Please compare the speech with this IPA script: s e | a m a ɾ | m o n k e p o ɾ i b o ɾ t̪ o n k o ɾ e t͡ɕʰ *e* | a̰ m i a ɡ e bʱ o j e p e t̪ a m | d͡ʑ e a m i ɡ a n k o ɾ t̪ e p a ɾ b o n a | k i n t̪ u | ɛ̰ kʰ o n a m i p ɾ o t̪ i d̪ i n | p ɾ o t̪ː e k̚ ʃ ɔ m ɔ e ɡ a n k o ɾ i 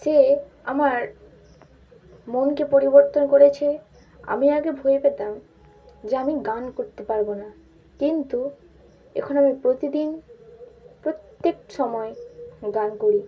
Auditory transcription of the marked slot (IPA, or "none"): e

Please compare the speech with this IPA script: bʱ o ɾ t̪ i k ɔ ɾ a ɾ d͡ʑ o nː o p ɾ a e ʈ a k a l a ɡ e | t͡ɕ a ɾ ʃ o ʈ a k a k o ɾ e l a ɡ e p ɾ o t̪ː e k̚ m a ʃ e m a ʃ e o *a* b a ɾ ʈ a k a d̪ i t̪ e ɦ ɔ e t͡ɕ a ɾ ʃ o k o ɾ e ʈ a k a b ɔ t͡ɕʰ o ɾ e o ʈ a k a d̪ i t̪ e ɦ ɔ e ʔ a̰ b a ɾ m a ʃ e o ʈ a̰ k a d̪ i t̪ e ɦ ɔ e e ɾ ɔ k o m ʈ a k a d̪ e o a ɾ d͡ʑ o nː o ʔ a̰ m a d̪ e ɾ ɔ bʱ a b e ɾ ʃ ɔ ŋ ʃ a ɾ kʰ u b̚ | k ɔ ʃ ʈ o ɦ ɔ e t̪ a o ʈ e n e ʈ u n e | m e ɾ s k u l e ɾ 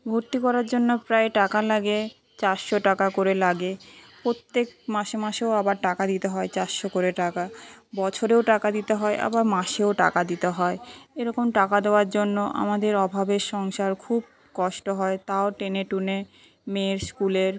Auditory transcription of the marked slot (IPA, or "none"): a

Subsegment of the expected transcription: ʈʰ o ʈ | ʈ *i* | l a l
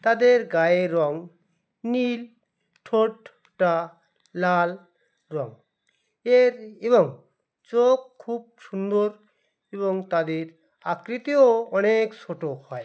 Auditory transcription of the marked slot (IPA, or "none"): a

